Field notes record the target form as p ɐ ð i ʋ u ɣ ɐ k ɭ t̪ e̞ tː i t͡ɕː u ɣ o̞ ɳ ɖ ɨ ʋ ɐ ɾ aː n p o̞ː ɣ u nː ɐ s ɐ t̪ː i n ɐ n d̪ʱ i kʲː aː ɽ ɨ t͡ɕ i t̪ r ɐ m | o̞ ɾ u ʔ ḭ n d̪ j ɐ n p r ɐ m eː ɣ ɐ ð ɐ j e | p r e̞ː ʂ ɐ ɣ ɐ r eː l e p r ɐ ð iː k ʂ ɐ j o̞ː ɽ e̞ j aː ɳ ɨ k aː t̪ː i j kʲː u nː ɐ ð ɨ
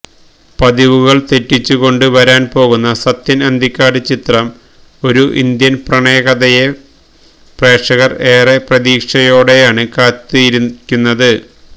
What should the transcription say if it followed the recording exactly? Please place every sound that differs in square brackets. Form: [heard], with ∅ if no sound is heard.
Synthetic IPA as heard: p ɐ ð i ʋ u ɣ ɐ [∅] ɭ t̪ e̞ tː i t͡ɕː u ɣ o̞ ɳ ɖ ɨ ʋ ɐ ɾ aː n p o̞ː ɣ u nː ɐ s ɐ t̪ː i n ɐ n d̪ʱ i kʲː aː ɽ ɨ t͡ɕ i t̪ r ɐ m | o̞ ɾ u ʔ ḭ n d̪ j ɐ n p r ɐ [ɳ] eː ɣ ɐ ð ɐ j e | p r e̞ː ʂ ɐ ɣ ɐ r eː [r] e p r ɐ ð iː k ʂ ɐ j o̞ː ɽ e̞ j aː ɳ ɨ k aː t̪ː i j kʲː u nː ɐ ð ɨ